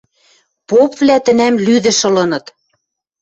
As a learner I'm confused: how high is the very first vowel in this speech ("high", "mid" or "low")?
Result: mid